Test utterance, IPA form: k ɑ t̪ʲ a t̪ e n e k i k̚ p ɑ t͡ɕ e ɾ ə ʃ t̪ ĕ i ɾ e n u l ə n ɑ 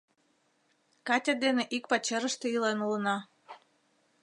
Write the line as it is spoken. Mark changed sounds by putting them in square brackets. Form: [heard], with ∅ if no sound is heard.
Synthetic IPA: k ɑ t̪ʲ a [d̪] e n e [ʔ] i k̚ p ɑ t͡ɕ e ɾ ə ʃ t̪ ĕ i [l] e n u l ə n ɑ